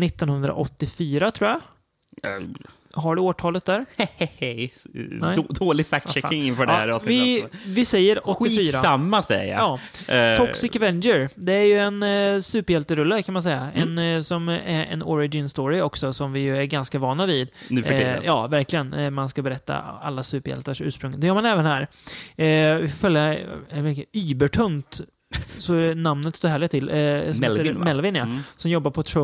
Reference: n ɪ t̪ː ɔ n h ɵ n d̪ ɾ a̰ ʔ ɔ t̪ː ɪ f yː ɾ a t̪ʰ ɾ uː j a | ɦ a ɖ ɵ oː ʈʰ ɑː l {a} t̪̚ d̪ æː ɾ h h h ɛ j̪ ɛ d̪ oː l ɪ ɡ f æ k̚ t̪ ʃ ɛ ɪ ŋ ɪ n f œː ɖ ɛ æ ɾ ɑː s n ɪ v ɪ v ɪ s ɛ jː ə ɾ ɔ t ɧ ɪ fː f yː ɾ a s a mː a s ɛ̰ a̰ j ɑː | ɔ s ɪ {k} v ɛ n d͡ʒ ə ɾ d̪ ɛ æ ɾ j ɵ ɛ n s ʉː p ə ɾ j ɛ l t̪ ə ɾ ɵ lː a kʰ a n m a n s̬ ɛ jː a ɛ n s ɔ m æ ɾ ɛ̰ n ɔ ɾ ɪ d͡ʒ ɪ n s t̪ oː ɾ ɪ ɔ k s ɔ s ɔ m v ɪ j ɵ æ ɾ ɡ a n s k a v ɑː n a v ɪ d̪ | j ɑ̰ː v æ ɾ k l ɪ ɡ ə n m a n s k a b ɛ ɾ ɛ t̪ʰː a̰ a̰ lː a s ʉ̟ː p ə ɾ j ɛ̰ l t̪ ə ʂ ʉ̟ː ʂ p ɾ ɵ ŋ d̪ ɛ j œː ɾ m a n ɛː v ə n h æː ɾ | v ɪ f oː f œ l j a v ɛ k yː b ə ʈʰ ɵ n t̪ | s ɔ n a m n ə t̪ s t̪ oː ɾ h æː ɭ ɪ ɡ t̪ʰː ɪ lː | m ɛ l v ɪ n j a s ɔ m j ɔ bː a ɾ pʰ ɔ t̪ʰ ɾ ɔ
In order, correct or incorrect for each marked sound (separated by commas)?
incorrect, correct